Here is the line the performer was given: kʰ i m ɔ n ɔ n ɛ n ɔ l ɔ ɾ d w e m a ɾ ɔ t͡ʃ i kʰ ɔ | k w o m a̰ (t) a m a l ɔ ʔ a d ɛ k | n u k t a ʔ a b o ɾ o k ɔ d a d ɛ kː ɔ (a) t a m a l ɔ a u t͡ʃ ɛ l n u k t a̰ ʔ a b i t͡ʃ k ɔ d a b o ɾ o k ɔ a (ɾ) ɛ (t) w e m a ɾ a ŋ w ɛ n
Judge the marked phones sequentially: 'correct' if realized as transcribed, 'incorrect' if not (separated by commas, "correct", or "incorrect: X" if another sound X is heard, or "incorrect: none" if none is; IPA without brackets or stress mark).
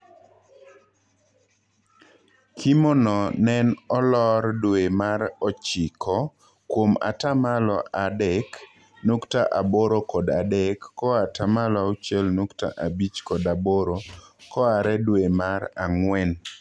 correct, correct, correct, incorrect: d